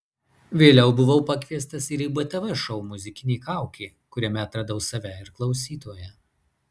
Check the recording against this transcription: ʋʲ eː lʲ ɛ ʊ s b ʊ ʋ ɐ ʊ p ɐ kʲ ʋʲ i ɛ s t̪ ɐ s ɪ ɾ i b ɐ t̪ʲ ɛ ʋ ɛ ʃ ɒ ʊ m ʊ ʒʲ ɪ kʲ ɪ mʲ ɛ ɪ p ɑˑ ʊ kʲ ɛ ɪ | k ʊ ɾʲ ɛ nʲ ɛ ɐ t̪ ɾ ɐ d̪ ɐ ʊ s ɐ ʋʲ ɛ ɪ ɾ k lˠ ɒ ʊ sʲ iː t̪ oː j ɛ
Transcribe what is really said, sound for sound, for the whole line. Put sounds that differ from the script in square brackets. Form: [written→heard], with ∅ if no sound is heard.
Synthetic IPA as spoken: ʋʲ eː lʲ ɛ ʊ [s→∅] b ʊ ʋ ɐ ʊ p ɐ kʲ ʋʲ i ɛ s t̪ ɐ s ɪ ɾ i b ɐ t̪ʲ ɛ ʋ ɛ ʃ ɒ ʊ m ʊ [ʒʲ→zʲ] ɪ kʲ ɪ [mʲ→nʲ] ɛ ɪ [p→k] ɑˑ ʊ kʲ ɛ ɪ | k ʊ ɾʲ ɛ [nʲ→mʲ] ɛ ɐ t̪ ɾ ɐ d̪ ɐ ʊ s ɐ ʋʲ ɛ ɪ ɾ k lˠ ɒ ʊ sʲ iː t̪ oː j ɛ